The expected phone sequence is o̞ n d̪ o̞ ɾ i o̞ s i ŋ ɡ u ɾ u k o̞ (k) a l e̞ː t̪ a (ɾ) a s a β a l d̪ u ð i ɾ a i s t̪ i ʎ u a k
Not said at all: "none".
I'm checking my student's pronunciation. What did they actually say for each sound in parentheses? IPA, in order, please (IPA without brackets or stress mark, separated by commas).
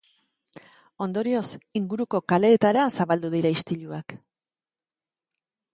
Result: k, ɾ